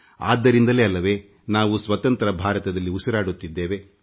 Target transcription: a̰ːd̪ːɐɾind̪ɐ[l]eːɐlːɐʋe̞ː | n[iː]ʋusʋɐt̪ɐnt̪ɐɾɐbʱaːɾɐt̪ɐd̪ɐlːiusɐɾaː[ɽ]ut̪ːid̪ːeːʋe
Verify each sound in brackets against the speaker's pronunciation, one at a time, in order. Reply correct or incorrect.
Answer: correct, incorrect, correct

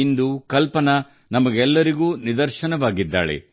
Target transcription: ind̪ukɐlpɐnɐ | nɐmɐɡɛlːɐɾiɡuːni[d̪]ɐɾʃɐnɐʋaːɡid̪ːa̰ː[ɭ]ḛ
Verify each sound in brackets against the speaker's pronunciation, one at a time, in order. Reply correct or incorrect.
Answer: correct, correct

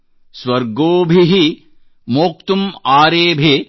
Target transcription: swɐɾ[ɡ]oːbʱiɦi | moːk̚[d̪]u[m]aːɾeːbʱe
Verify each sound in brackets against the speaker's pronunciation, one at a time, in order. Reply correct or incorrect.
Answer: correct, incorrect, correct

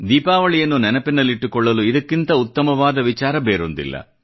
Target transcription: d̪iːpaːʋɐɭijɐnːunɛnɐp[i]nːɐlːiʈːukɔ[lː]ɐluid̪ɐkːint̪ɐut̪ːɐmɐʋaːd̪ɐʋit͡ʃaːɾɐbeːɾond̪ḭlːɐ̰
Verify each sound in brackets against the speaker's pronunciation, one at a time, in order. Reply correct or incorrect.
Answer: correct, incorrect

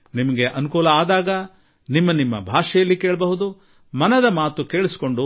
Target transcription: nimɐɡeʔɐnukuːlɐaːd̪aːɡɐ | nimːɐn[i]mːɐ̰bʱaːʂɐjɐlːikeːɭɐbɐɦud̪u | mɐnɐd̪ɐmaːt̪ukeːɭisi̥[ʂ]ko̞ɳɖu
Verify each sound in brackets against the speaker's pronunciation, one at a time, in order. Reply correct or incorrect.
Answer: correct, incorrect

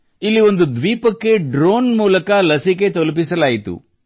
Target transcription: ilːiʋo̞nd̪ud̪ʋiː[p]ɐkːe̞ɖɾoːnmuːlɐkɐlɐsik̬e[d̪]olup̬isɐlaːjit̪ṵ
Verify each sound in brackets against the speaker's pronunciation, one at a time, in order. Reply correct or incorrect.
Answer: correct, incorrect

